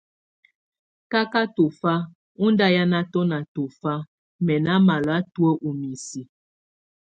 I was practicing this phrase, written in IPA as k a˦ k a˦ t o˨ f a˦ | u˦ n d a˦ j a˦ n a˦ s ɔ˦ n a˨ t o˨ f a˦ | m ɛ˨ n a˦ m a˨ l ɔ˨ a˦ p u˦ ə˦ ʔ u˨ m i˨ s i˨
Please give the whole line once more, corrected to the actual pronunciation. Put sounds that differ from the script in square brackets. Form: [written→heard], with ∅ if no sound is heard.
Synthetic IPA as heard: k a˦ k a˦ t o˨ f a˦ | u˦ n d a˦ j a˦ n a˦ [s→t] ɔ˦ n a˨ t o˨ f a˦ | m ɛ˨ n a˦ m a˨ l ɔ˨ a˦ [p→t] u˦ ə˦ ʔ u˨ m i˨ s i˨